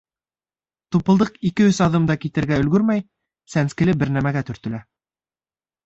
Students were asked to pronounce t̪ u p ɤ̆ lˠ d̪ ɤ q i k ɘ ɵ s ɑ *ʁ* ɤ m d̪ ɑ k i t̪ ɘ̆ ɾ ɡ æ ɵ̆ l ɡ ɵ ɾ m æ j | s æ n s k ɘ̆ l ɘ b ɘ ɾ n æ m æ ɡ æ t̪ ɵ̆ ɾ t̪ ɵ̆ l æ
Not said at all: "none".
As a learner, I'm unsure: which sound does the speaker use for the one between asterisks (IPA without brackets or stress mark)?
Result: ð